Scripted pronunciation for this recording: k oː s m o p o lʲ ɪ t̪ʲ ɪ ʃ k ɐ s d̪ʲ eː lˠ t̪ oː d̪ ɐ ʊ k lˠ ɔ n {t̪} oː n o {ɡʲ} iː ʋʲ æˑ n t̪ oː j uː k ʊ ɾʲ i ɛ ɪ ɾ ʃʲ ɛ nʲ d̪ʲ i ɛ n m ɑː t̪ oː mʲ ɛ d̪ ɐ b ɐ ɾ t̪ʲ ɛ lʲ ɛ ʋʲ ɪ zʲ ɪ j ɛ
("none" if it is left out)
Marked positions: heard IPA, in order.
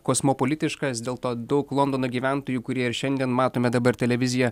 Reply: d̪, ɡʲ

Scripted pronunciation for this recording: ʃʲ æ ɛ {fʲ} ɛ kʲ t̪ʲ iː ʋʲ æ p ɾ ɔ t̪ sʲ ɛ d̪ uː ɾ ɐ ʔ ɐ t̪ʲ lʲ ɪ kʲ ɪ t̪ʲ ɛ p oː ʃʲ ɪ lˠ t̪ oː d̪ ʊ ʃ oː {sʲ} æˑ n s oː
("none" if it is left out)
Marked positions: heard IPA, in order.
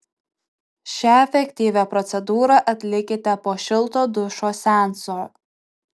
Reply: fʲ, sʲ

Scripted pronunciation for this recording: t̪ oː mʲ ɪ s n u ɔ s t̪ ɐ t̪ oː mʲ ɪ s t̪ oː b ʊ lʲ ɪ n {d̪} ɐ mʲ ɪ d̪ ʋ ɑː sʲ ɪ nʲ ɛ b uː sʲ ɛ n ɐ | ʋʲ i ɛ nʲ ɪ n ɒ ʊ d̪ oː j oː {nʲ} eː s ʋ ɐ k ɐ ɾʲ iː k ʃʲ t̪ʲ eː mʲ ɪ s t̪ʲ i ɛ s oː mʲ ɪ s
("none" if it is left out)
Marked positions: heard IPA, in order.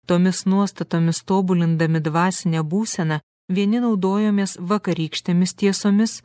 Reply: d̪, mʲ

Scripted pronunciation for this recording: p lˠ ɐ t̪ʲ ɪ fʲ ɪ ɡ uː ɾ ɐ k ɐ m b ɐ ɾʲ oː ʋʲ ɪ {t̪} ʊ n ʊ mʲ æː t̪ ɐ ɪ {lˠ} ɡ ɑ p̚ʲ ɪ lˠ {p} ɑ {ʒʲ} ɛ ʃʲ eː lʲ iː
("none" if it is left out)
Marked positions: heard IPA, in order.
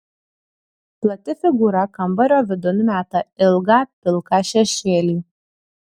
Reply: d̪, lˠ, k, ʃʲ

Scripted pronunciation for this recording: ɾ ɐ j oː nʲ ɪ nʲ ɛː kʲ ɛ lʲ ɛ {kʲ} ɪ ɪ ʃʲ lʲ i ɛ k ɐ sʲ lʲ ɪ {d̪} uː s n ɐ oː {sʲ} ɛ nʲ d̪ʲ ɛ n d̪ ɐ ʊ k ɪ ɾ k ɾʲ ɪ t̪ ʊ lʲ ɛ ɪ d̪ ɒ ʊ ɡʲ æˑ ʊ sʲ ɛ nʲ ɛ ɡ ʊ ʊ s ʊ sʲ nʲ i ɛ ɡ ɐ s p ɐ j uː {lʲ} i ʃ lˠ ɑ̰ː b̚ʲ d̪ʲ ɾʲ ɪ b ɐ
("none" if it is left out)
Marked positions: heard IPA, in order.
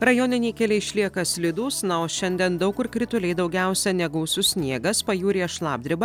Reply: none, d̪, ʃʲ, ɾʲ

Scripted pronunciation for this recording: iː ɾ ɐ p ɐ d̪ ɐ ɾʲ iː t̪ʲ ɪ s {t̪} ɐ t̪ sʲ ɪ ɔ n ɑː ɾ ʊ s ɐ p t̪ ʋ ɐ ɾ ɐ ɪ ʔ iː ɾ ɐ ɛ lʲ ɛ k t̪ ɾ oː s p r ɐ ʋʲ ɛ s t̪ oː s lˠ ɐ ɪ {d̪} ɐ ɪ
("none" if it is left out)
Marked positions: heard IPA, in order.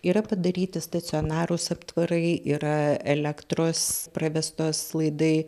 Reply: t̪, d̪

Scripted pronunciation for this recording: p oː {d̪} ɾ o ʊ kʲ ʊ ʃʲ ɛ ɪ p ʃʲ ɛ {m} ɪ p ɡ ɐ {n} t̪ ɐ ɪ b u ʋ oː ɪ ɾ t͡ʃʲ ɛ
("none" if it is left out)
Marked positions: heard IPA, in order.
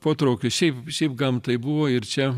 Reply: t̪, none, m

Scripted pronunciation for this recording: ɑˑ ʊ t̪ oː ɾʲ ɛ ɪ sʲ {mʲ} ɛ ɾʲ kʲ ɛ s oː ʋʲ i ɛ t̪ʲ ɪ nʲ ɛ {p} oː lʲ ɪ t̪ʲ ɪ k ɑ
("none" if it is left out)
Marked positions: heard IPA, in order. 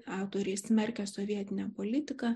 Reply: mʲ, p

